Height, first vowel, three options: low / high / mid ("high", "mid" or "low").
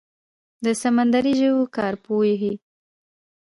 mid